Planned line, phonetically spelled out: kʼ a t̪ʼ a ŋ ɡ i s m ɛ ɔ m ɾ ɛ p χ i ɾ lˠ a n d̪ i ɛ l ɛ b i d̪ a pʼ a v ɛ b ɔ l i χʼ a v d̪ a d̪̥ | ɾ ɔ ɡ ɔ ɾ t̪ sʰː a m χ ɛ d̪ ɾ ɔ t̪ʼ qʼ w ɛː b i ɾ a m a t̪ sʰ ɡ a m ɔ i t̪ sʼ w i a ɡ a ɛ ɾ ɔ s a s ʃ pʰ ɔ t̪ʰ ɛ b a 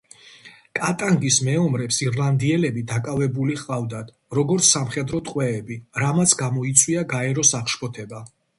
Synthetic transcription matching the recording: kʼ a t̪ʼ a ŋ ɡ i s m ɛ ɔ m ɾ ɛ p s i ɾ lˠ a n d̪ i ɛ l ɛ b i d̪ a kʼ a v ɛ b u l i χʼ a v d̪ a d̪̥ | ɾ ɔ ɡ ɔ ɾ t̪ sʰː a m χ ɛ d̪ ɾ ɔ t̪ʼ qʼ w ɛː b i ɾ a m a t̪ sʰ ɡ a m ɔ i t̪ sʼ w i a ɡ a ɛ ɾ ɔ s a χ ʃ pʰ ɔ t̪ʰ ɛ b a